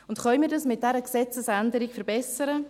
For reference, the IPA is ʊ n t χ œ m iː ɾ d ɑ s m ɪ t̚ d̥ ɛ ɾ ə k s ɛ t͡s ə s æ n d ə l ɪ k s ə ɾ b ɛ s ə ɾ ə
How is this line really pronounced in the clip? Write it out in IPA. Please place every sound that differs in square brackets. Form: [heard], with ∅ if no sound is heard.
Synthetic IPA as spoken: ʊ n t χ œ m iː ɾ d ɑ s m ɪ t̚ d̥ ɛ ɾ ə k s ɛ t͡s ə s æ n d ə [ɾ] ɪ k [f] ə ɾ b ɛ s ə ɾ ə